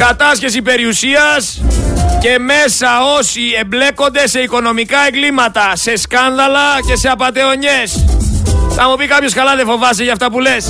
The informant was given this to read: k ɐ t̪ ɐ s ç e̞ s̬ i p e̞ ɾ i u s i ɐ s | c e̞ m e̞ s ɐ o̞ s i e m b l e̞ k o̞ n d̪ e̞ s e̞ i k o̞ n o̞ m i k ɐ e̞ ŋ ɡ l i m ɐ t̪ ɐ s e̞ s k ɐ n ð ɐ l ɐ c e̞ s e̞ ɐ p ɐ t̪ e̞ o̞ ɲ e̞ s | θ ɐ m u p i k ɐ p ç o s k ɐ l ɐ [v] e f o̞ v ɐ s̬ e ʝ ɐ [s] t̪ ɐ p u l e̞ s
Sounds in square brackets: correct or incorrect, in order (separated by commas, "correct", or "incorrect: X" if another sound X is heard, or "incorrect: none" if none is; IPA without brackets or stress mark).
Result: incorrect: ð, incorrect: f